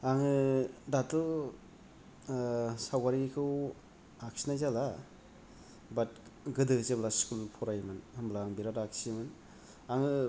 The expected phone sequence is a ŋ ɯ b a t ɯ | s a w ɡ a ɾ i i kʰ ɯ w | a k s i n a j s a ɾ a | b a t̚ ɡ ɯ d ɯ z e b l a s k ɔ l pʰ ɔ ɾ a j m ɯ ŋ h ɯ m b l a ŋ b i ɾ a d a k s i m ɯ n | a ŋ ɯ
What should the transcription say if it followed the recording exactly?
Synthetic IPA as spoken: a ŋ ɯ d a t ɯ | s a w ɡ a ɾ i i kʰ ɯ w | a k s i n a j z a l a | b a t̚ ɡ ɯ d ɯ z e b l a s k u l pʰ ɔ ɾ a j m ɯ n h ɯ m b l a ŋ b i ɾ a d a k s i m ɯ n | a ŋ ɯ